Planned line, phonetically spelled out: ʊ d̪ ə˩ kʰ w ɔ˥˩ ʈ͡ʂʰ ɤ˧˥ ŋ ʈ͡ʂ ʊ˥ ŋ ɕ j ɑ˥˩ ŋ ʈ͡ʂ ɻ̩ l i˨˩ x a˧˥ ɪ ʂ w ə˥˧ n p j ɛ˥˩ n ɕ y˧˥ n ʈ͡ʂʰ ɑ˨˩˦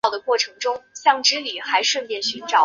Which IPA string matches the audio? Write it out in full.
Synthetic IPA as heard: ʊ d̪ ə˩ k w ɔ˥˩ ʈ͡ʂʰ ɤ˧˥ ŋ ʈ͡ʂ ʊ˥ ŋ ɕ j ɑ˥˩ ŋ ʈ͡ʂ ɻ̩ l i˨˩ x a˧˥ ɪ ʂ w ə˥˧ n p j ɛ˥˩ n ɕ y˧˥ n ʈ͡ʂ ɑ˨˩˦